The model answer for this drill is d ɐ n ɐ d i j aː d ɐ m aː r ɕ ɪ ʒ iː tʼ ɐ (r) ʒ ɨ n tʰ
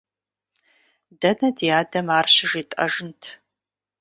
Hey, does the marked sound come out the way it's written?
no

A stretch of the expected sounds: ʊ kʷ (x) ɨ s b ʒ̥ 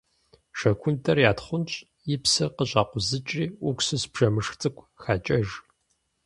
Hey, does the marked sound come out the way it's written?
no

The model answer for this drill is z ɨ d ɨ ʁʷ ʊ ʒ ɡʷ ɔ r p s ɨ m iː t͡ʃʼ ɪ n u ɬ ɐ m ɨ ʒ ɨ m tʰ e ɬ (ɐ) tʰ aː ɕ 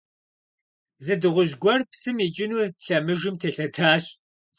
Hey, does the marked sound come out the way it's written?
yes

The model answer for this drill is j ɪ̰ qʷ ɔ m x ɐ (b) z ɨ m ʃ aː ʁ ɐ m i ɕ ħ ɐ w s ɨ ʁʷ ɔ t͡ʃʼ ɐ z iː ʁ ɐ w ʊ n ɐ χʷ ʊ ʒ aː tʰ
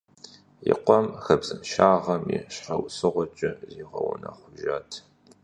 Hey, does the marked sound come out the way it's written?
yes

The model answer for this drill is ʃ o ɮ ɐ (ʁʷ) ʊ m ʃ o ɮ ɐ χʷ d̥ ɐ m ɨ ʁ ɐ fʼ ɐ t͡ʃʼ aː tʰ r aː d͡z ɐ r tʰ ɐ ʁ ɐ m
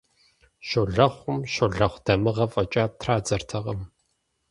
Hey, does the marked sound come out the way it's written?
no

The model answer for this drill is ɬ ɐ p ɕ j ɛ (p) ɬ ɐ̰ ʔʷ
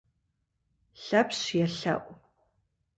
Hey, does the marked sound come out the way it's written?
no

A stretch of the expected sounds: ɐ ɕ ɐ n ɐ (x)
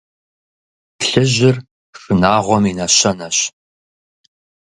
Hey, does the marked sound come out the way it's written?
no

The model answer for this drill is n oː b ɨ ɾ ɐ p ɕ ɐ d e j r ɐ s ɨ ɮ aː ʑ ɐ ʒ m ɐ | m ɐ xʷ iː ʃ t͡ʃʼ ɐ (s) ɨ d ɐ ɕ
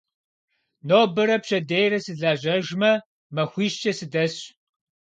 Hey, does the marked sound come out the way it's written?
yes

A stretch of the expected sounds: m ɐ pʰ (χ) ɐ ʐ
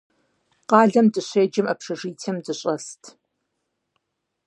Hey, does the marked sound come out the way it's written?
no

